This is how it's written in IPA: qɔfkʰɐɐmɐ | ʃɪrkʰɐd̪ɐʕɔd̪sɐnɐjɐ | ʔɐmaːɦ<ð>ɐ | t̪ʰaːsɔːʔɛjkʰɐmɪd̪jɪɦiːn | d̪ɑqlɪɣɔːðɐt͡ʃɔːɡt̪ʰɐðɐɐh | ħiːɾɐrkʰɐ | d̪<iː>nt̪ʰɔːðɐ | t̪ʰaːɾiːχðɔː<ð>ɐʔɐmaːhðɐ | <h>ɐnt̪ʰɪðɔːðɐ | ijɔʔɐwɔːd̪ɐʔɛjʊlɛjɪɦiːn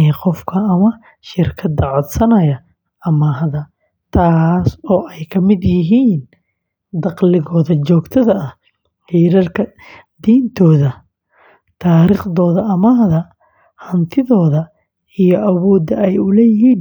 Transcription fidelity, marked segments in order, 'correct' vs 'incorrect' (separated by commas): correct, correct, correct, correct